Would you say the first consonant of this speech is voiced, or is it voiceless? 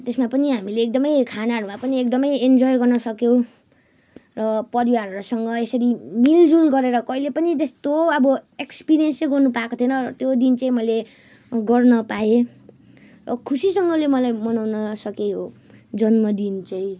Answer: voiceless